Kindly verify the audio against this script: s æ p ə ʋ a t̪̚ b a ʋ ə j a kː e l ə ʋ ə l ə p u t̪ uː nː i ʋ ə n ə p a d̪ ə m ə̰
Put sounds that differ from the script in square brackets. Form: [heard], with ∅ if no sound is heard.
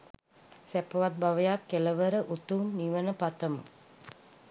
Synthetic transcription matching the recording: s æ p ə ʋ a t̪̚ b a ʋ ə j a kː e l ə ʋ ə [ɾ] ə [ʔ] u t̪ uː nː i ʋ ə n ə p a [t̪] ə m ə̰